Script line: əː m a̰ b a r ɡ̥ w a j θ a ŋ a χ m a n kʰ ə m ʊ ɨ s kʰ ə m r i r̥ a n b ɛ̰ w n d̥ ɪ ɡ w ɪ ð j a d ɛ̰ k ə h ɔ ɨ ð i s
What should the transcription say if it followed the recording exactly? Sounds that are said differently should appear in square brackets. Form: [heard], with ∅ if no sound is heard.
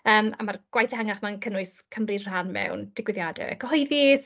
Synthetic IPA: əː m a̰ [m] a r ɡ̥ w a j θ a ŋ a χ m a n kʰ ə [n] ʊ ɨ s kʰ ə m r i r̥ a n [m] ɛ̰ w n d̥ ɪ ɡ w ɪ ð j a d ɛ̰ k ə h ɔ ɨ ð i s